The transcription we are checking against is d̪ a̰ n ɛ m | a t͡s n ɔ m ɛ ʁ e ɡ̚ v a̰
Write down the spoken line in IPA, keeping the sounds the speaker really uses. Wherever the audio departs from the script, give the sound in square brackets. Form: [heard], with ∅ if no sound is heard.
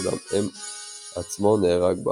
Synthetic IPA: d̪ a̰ [m] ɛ m | a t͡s [m] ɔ [n] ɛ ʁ [a] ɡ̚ [b] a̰